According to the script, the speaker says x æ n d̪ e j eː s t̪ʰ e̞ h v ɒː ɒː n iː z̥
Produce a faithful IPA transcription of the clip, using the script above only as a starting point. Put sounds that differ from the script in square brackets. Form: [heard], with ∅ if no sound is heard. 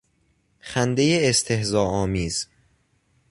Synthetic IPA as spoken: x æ n d̪ e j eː s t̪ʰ e̞ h [z] ɒː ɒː [m] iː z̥